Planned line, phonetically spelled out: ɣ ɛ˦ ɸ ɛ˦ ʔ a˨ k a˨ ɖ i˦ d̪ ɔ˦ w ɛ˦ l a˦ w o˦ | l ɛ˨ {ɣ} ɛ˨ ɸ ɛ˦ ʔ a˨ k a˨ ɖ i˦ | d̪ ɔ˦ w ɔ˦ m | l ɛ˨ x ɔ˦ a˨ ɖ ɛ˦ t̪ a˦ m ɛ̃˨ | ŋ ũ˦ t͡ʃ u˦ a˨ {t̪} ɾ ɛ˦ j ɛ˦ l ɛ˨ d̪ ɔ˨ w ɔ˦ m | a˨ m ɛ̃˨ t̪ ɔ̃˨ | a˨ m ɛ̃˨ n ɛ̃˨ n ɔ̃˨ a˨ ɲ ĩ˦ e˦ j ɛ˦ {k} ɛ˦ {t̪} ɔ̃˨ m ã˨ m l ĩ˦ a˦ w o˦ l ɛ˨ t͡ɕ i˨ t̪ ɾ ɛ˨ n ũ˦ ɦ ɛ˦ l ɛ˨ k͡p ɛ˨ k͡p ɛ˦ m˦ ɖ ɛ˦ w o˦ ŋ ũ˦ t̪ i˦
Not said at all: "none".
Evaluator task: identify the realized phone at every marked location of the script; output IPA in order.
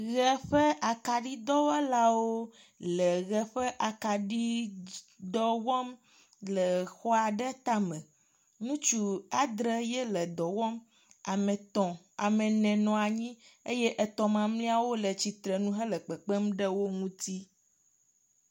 ɣ, d̪, ʔ, t̪

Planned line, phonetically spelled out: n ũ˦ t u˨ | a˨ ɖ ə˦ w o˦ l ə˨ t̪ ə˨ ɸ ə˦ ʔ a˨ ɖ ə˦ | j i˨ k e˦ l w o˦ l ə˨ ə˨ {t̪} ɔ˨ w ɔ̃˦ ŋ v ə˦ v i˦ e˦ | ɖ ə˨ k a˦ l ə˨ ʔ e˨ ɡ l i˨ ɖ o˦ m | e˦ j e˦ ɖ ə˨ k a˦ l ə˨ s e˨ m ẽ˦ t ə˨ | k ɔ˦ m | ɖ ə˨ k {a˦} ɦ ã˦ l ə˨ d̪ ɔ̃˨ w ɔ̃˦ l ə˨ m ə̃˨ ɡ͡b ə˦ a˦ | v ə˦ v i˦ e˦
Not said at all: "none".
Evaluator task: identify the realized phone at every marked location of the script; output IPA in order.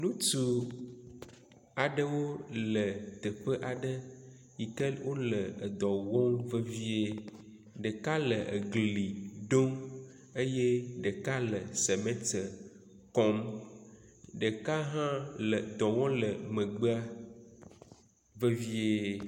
d̪, a˦

